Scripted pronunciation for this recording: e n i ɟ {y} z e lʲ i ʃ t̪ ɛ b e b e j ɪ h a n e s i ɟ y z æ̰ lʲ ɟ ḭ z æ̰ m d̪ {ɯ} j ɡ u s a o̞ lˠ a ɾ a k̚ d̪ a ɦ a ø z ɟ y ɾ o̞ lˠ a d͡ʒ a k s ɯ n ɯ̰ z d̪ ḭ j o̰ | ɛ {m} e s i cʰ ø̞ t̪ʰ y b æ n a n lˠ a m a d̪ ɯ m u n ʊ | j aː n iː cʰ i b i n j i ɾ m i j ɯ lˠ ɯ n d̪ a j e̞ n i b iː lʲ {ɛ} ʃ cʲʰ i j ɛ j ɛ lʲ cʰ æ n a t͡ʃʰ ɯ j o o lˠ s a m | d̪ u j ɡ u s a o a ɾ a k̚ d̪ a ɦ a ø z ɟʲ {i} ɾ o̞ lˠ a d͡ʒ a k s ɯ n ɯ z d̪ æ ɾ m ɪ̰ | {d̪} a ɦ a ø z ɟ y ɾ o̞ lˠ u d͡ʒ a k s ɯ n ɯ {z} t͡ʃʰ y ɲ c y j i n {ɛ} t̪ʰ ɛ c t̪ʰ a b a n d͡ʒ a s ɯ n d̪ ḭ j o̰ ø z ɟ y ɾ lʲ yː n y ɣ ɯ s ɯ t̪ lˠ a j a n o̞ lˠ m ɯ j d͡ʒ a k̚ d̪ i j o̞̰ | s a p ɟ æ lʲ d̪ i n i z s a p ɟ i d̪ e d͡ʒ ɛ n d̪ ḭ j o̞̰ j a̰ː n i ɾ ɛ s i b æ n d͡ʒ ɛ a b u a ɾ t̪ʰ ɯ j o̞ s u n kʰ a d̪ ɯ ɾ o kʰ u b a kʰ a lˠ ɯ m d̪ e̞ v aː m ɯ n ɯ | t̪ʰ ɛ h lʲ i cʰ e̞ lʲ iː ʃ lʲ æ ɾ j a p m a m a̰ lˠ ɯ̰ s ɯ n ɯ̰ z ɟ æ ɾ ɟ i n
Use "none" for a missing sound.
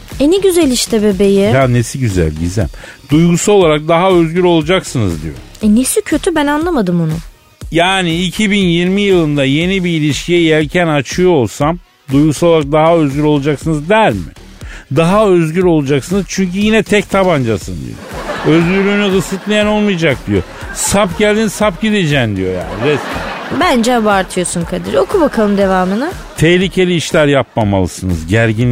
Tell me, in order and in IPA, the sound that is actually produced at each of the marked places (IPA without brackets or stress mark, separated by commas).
y, u, n, i, y, d̪, z, ɛ